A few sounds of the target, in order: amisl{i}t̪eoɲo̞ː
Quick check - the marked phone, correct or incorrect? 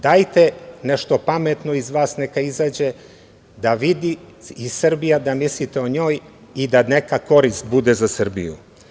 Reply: correct